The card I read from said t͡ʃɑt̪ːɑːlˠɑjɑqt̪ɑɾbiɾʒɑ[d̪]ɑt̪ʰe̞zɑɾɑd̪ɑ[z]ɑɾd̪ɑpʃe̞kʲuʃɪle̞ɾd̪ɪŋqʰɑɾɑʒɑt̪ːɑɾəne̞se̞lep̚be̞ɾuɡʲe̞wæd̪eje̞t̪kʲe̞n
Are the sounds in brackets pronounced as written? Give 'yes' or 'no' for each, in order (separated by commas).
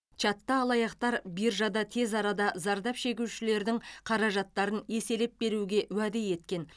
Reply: yes, yes